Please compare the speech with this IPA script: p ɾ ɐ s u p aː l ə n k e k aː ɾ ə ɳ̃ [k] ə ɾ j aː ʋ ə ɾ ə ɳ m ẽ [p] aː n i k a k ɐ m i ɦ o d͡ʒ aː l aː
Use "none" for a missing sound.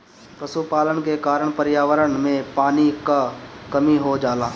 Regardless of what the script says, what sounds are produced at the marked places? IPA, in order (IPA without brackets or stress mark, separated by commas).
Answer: p, p